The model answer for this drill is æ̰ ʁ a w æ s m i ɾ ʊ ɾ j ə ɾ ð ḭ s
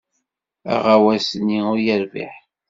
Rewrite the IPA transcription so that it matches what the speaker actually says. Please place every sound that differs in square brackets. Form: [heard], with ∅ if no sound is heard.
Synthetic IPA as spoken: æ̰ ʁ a w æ s [n] i [∅] ʊ ɾ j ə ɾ [v] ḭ [ħ]